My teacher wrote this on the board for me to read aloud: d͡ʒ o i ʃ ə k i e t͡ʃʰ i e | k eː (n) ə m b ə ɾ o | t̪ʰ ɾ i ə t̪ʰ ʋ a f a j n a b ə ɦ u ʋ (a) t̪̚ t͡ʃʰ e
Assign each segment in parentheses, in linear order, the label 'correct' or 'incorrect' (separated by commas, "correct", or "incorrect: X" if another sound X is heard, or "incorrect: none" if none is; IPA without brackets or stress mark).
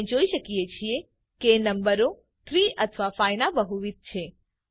correct, incorrect: i